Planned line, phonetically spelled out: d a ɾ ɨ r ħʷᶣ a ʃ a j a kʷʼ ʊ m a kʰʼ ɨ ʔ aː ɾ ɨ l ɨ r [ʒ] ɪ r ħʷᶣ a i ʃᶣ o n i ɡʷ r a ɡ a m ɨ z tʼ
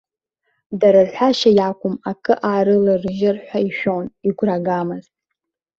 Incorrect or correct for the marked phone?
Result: correct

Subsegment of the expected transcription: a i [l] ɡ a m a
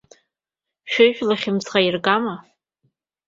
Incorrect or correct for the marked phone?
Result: incorrect: r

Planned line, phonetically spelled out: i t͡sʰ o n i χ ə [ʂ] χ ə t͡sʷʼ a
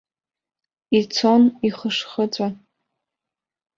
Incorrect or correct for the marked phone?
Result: correct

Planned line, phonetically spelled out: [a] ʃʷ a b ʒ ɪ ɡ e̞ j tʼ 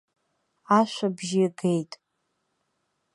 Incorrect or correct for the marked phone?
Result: correct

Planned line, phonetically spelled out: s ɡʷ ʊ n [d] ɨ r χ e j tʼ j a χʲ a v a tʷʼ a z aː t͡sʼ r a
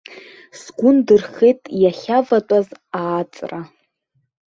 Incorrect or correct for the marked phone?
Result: correct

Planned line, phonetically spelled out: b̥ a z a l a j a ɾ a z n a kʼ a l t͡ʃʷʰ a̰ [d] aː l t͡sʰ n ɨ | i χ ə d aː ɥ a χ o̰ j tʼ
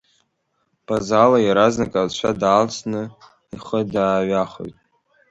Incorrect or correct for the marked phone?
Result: correct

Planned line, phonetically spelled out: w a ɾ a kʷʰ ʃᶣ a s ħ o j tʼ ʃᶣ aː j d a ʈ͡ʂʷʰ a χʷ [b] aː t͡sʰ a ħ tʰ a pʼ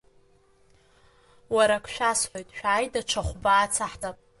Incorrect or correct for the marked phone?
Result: correct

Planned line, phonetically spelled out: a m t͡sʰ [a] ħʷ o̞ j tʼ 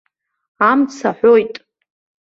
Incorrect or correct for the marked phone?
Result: correct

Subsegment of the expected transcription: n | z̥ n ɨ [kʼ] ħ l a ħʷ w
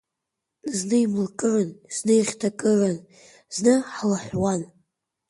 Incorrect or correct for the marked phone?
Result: incorrect: none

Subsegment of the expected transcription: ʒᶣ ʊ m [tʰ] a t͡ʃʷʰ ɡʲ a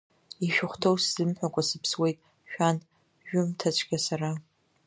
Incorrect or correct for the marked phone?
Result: correct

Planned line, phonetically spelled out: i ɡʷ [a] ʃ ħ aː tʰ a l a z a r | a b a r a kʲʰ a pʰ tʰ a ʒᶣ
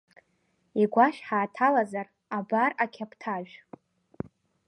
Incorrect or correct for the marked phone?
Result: correct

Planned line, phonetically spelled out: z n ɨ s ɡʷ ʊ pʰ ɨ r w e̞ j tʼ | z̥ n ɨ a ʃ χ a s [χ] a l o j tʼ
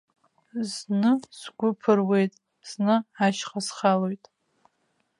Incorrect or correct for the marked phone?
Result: correct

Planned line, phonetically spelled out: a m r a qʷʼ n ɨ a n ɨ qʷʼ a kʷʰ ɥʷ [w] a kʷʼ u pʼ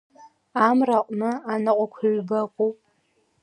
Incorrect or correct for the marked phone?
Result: incorrect: b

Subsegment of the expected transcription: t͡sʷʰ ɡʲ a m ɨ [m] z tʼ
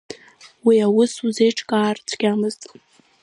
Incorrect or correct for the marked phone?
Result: incorrect: none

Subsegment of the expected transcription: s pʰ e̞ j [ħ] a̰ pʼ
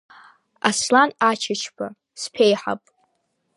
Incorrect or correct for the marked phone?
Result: correct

